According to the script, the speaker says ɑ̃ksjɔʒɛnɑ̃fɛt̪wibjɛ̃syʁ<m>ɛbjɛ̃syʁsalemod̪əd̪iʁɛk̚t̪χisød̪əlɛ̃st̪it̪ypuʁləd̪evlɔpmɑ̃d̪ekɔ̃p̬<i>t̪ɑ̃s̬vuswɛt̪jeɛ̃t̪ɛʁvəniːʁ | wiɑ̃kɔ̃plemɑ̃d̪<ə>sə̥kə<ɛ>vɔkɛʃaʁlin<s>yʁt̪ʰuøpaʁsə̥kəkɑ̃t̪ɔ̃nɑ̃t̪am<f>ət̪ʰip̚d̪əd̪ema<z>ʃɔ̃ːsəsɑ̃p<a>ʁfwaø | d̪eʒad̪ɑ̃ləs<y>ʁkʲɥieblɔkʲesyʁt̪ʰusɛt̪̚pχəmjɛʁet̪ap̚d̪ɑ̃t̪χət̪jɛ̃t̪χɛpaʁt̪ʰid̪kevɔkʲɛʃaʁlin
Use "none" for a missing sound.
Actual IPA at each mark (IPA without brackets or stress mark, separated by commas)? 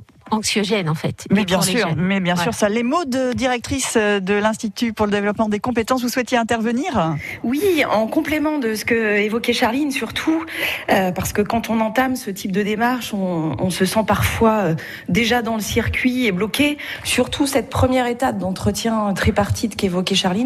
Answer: m, e, ə, e, s, s, ʁ, a, i